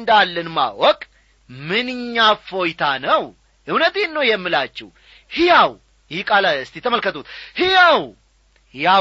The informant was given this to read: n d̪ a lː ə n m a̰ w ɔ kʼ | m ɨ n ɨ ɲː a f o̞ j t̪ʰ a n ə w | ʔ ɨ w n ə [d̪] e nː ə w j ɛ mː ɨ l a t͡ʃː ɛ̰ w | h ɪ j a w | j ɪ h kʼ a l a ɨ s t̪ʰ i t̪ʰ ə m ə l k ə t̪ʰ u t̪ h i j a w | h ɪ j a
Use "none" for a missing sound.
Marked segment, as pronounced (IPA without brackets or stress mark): t̪